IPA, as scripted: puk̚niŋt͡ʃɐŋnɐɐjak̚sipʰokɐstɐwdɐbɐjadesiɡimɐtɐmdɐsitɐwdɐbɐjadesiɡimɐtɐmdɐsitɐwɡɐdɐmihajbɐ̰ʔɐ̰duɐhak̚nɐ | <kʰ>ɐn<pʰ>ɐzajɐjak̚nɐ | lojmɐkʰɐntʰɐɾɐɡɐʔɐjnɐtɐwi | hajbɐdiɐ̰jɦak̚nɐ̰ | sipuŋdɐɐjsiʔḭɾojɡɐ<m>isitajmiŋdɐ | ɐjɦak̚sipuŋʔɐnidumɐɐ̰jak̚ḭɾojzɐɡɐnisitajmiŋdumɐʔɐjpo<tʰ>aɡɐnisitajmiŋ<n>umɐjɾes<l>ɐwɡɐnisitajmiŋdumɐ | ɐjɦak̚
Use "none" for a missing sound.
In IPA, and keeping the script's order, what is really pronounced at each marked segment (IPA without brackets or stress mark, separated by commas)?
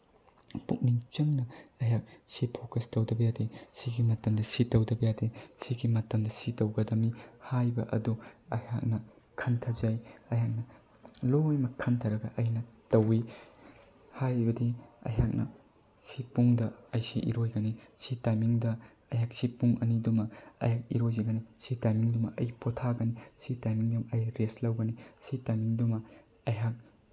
kʰ, tʰ, n, tʰ, d, l